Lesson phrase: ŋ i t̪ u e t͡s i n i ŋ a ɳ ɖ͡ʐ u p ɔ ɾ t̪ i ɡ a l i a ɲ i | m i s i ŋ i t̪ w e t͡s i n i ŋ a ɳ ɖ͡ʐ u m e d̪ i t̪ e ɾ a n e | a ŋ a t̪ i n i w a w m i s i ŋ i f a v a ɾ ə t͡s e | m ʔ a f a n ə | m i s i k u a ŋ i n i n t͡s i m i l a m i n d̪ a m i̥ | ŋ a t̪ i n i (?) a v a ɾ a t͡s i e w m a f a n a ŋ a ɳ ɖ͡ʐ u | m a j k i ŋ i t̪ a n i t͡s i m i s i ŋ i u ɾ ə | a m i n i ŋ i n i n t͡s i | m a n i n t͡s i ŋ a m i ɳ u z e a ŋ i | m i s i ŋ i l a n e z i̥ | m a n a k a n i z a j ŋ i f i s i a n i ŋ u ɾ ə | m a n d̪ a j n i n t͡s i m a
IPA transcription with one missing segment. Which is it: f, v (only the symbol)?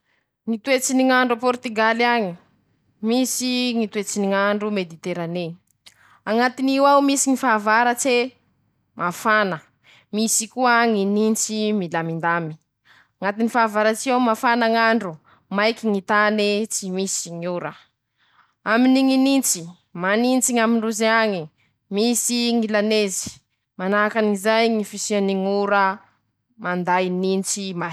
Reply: f